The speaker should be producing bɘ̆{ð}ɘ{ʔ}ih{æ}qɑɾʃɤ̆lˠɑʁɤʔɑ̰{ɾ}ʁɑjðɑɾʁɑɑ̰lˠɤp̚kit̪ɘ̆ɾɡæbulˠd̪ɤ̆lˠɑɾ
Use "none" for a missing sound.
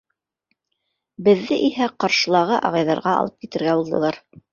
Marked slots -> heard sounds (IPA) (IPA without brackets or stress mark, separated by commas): ðː, ʔ, æ, none